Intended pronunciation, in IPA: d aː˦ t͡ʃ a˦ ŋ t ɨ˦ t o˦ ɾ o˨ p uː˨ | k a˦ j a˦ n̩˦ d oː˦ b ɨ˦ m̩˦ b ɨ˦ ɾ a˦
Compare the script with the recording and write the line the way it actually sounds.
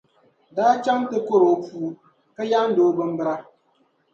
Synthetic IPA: d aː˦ t͡ʃ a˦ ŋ t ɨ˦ k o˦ ɾ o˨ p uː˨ | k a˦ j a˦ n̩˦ d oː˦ b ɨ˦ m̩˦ b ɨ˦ ɾ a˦